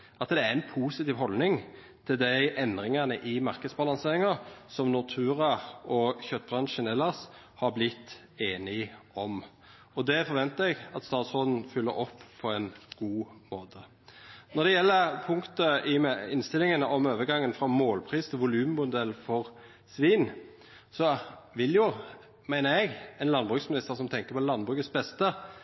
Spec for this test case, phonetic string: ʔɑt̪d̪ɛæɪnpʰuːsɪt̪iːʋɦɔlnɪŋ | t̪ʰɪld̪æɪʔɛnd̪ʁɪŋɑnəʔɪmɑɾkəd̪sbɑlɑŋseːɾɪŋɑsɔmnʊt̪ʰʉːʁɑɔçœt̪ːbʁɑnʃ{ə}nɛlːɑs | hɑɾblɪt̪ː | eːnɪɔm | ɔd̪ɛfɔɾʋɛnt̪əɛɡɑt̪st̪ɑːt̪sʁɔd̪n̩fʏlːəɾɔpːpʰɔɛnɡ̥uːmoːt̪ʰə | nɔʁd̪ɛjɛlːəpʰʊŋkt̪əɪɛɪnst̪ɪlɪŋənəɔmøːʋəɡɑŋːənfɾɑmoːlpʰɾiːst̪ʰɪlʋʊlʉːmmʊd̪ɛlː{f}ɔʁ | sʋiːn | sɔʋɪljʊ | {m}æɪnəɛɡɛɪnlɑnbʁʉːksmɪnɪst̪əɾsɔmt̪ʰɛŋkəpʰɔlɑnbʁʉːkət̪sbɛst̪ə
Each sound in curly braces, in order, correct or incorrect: correct, correct, correct

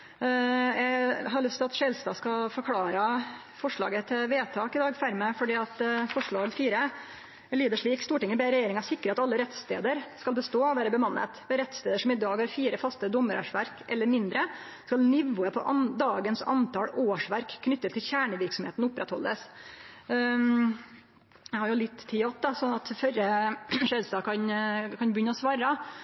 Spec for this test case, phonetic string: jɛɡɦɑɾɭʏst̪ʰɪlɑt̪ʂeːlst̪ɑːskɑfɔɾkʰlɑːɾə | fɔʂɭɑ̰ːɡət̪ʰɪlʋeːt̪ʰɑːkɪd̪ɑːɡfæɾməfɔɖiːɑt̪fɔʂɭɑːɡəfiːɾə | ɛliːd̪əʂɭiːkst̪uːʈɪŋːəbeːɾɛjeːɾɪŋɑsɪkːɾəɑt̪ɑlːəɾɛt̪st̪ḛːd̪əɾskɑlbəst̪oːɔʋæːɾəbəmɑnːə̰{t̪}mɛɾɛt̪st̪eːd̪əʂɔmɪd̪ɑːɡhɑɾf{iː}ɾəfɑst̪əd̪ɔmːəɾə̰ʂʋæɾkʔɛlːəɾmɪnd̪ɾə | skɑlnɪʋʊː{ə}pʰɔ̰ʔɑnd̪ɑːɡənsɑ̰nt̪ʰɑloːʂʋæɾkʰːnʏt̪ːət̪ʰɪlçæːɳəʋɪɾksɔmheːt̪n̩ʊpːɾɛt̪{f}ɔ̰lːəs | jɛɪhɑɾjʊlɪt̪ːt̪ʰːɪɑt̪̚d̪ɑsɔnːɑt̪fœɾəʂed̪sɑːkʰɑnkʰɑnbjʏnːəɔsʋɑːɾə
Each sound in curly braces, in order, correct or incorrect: correct, correct, correct, incorrect

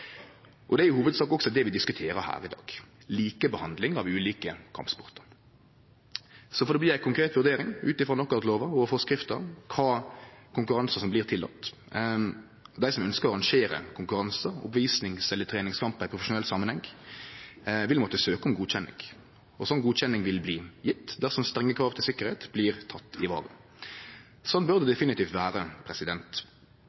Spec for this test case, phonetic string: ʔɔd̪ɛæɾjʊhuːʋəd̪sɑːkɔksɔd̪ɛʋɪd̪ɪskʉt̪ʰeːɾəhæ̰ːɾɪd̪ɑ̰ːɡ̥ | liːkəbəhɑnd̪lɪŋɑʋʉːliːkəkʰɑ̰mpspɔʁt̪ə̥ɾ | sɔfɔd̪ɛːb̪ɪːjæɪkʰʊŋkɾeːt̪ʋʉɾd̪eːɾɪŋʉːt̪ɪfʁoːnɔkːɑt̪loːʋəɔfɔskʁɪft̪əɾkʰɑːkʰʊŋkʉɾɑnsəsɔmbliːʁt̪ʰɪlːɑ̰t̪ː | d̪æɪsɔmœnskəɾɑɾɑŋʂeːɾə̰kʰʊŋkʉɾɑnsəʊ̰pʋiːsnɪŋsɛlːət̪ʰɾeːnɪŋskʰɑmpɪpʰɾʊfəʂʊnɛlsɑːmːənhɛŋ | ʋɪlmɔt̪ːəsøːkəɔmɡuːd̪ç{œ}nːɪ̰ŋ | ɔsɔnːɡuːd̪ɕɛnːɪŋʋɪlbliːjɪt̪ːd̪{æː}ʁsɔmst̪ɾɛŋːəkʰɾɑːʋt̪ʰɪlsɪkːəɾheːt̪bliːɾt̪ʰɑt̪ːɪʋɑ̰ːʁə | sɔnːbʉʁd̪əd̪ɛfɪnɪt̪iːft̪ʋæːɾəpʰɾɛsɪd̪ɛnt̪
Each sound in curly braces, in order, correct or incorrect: incorrect, incorrect

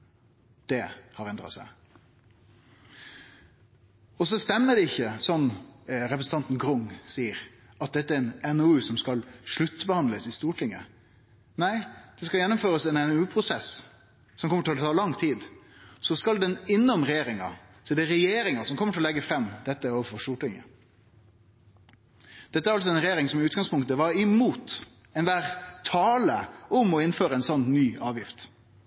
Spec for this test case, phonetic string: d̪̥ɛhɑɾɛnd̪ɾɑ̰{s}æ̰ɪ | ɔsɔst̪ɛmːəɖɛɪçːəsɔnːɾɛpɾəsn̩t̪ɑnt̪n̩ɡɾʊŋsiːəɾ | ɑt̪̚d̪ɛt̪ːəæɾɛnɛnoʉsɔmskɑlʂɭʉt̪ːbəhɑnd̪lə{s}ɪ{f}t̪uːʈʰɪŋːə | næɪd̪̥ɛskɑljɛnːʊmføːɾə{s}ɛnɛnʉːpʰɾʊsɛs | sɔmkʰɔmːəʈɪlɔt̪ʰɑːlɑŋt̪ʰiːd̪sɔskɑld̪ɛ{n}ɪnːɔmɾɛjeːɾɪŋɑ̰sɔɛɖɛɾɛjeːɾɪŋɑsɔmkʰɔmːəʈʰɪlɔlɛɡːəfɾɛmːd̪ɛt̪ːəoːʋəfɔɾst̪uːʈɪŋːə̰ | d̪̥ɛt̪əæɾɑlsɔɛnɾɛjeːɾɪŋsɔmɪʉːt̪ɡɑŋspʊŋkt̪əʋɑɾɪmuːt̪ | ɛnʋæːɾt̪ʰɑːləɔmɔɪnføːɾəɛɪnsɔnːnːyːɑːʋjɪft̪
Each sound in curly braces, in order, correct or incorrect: correct, correct, incorrect, correct, correct

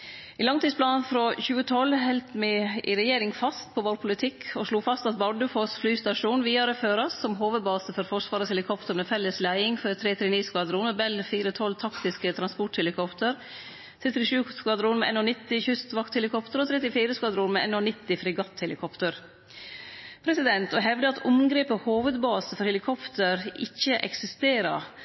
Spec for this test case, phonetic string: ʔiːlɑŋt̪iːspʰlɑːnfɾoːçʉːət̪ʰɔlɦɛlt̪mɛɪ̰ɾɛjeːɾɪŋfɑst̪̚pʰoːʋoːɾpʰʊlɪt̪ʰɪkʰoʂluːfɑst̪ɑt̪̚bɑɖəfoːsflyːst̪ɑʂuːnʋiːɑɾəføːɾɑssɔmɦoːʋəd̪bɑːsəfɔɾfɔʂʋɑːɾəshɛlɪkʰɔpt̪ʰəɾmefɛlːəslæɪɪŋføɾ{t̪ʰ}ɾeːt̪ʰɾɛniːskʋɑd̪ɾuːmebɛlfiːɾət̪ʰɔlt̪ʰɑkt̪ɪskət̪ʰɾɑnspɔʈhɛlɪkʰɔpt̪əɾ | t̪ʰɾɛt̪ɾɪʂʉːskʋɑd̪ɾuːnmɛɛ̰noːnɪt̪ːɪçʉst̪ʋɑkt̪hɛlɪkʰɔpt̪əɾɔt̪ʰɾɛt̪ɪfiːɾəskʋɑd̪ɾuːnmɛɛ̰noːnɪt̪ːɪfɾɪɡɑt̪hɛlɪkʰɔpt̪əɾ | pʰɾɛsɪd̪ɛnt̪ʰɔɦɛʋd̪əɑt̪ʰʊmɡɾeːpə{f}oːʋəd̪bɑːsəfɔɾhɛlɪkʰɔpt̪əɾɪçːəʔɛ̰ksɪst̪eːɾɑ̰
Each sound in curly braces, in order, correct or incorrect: correct, incorrect

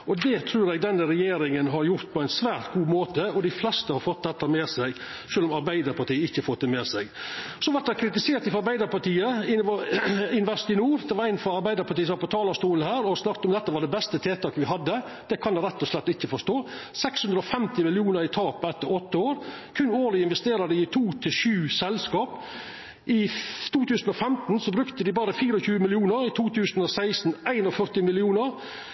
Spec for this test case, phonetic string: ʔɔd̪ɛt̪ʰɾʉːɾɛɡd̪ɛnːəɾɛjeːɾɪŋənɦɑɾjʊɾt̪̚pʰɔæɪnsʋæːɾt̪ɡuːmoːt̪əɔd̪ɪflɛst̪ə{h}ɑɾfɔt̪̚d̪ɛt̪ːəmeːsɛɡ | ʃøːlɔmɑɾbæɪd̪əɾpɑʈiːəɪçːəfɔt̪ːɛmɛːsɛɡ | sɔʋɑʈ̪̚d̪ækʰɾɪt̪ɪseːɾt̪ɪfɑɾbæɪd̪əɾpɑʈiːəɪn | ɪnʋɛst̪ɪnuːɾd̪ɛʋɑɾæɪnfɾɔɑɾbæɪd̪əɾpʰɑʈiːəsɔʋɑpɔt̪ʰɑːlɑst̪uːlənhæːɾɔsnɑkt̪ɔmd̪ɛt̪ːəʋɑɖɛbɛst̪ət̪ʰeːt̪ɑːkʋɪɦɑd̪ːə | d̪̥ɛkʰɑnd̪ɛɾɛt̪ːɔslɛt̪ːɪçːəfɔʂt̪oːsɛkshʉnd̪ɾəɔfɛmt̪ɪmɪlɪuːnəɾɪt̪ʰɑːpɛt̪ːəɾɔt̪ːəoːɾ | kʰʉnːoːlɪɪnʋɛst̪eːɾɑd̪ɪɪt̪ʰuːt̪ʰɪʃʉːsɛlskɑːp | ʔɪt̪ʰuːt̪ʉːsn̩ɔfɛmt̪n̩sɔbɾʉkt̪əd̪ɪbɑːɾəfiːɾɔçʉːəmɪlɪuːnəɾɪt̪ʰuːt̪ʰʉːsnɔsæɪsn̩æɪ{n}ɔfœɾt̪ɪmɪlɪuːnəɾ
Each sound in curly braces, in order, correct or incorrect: correct, correct

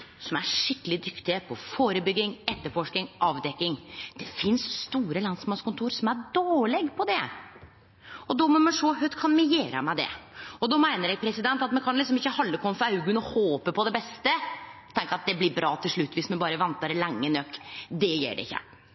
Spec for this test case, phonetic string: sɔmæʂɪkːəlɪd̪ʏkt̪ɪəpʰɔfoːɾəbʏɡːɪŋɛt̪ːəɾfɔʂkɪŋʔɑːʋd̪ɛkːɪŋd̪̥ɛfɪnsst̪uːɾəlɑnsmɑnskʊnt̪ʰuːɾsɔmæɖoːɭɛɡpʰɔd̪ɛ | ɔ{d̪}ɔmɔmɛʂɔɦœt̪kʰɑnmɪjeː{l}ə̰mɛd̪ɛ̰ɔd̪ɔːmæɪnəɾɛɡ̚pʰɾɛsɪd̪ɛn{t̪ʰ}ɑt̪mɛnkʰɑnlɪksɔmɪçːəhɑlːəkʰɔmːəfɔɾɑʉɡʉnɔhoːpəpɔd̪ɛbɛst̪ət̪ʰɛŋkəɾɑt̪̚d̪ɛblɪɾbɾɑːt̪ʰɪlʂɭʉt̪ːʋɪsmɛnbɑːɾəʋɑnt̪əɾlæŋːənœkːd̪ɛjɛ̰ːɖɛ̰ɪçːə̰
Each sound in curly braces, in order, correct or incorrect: correct, incorrect, incorrect

